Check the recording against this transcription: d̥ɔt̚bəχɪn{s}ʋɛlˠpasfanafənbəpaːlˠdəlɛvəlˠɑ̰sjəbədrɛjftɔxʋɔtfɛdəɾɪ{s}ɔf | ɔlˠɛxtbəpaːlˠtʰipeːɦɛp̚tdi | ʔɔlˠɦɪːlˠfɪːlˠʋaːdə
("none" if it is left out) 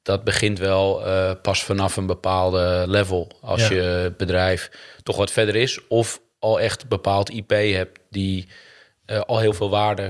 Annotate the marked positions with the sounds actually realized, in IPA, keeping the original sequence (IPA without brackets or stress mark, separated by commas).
t, s